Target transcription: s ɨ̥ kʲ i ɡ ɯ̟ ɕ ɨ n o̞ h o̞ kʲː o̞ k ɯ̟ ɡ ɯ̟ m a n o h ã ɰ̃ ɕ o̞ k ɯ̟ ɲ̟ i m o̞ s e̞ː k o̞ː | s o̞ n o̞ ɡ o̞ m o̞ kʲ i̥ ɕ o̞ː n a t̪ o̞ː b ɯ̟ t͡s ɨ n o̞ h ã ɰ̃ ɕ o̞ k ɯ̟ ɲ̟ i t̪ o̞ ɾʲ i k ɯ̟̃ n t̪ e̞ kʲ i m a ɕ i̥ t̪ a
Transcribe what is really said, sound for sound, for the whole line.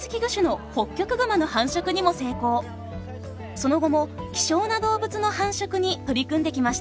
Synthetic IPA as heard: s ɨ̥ kʲ i ɡ ɯ̟ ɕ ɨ n o̞ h o̞ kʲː o̞ k ɯ̟ ɡ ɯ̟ m a n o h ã ɰ̃ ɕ o̞ k ɯ̟ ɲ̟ i m o̞ s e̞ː k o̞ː | s o̞ n o̞ ɡ o̞ m o̞ kʲ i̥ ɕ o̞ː n a d̪ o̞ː b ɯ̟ t͡s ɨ n o̞ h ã ɰ̃ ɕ o̞ k ɯ̟ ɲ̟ i t̪ o̞ ɾʲ i k ɯ̟̃ n d̪ e̞ kʲ i m a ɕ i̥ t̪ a